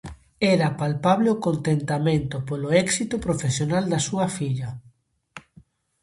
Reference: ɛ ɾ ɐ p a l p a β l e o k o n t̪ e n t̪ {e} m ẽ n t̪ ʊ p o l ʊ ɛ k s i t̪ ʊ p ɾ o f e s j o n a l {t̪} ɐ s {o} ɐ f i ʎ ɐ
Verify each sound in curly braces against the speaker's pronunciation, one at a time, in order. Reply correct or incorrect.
incorrect: a, incorrect: d̪, incorrect: u

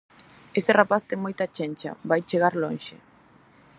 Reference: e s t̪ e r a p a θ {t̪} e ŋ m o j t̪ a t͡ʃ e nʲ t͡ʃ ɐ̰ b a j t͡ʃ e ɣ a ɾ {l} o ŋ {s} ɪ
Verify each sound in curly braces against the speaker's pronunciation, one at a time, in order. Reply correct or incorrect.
correct, correct, incorrect: ʃ

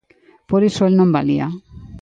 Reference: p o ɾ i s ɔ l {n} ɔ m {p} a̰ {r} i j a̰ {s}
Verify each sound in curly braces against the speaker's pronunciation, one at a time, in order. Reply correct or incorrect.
correct, incorrect: b, incorrect: l, incorrect: none

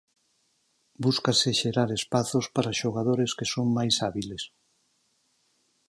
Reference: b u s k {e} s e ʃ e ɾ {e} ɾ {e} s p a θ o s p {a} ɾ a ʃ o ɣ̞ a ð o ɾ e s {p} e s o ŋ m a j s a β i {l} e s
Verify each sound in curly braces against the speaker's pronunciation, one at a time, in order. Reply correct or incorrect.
incorrect: a, incorrect: a, correct, correct, incorrect: k, correct

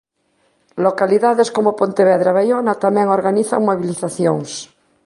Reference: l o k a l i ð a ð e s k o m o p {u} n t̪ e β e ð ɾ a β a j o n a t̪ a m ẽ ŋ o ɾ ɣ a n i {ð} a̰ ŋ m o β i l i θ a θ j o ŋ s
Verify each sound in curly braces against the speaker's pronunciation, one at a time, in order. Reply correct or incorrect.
incorrect: o, incorrect: θ

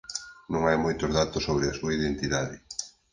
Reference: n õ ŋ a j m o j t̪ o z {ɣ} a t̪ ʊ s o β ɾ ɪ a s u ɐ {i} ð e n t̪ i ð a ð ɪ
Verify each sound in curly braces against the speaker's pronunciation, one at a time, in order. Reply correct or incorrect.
incorrect: ð, correct

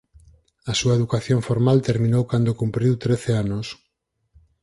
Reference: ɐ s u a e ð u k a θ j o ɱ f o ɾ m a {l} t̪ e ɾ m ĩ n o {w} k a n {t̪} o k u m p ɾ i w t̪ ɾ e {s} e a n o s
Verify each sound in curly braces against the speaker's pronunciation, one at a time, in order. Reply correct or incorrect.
correct, correct, incorrect: d̪, incorrect: θ

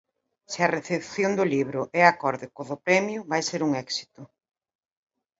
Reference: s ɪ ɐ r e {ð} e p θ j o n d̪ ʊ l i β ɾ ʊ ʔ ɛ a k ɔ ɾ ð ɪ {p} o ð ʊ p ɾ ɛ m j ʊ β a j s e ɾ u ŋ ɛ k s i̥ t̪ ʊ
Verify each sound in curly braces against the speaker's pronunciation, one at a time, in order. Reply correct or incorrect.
incorrect: θ, incorrect: k

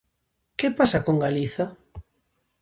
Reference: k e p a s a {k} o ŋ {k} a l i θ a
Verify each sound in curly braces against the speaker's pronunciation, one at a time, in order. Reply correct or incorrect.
correct, incorrect: ɡ

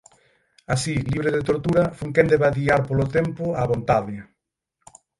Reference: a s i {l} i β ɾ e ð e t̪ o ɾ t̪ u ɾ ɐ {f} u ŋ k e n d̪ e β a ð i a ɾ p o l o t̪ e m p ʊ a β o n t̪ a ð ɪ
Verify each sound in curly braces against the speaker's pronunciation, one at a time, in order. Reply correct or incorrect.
correct, correct

